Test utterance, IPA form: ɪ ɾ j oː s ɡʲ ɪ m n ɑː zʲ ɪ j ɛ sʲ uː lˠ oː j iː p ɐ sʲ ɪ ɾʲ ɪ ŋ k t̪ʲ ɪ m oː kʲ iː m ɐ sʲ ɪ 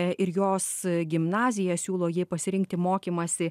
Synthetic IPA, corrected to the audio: ɪ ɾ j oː s ɡʲ ɪ m n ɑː zʲ ɪ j ɛ sʲ uː lˠ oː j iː p ɐ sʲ ɪ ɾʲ ɪ ŋ k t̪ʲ ɪ m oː kʲ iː m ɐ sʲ ɪ